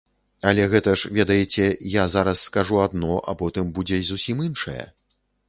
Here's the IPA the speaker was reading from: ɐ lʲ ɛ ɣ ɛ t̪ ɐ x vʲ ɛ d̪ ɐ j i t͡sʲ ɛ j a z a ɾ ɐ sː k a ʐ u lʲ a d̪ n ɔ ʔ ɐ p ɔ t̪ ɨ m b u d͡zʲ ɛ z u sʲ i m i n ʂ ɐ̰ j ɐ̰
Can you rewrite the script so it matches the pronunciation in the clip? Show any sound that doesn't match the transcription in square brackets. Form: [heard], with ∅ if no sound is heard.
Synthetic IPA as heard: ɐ lʲ ɛ ɣ ɛ t̪ ɐ [ʂ] vʲ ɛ d̪ ɐ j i t͡sʲ ɛ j a z a ɾ ɐ sː k a ʐ u [∅] a d̪ n ɔ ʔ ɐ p ɔ t̪ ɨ m b u d͡zʲ ɛ z u sʲ i m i n ʂ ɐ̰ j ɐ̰